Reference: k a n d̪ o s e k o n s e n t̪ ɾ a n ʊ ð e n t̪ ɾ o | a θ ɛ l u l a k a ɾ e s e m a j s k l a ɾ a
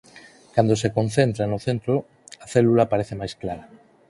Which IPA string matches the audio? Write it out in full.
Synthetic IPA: k a n d̪ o s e k o n θ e n t̪ ɾ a n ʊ θ e n t̪ ɾ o | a θ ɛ l u l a p a ɾ e θ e m a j s k l a ɾ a